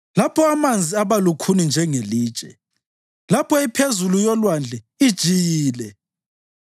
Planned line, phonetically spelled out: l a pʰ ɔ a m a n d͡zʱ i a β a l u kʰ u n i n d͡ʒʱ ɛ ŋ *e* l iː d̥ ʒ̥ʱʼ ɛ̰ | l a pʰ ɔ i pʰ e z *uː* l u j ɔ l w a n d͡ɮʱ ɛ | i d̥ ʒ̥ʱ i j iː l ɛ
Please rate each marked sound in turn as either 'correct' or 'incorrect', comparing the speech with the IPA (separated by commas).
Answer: correct, incorrect